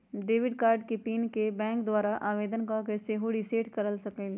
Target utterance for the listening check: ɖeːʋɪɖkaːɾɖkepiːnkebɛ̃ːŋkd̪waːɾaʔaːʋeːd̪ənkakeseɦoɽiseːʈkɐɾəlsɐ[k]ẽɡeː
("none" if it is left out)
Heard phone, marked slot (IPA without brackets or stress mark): k